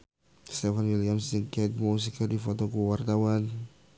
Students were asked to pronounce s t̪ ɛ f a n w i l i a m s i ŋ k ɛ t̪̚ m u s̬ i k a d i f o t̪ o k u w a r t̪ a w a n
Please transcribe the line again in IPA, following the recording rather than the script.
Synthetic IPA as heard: s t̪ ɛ f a n w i l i a m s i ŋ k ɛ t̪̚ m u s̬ i k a d i f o t̪ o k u w a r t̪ a w a n